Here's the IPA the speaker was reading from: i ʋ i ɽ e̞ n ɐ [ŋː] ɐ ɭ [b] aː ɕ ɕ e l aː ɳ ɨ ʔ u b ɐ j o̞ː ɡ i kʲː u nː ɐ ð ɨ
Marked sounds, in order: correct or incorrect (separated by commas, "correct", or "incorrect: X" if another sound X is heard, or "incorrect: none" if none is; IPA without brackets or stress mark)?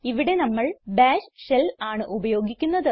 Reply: incorrect: mː, correct